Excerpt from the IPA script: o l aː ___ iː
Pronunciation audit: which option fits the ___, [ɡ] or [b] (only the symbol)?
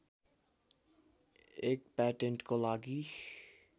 ɡ